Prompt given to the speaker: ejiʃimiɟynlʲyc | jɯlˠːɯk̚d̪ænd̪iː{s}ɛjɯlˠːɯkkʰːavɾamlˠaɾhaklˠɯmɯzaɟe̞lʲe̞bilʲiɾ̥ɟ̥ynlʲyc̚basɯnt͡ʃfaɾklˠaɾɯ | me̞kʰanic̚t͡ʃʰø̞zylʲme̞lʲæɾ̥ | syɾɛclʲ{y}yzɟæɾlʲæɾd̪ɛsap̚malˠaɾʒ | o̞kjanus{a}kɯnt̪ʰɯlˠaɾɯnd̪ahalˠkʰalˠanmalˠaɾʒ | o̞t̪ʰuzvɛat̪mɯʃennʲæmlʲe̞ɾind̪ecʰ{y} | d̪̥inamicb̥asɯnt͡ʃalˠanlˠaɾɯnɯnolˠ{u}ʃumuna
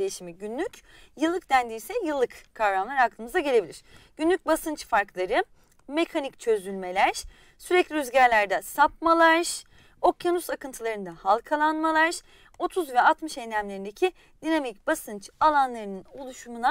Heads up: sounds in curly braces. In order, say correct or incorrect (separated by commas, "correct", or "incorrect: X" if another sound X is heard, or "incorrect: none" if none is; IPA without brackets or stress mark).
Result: correct, incorrect: i, correct, incorrect: i, correct